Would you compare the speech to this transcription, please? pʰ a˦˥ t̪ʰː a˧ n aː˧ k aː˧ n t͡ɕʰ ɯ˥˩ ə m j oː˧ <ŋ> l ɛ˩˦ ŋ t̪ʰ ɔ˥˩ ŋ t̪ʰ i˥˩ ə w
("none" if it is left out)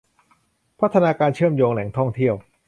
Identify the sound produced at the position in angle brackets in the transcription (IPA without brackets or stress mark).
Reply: ŋ